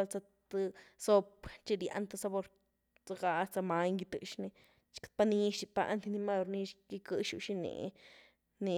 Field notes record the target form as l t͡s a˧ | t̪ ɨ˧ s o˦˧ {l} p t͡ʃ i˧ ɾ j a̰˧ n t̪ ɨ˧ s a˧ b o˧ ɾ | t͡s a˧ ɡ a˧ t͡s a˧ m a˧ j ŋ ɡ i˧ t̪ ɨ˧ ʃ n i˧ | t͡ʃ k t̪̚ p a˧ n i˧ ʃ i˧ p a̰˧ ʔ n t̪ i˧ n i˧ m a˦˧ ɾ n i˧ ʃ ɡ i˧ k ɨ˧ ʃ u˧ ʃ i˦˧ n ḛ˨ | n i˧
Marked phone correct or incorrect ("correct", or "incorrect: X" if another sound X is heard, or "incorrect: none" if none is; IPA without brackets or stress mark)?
incorrect: none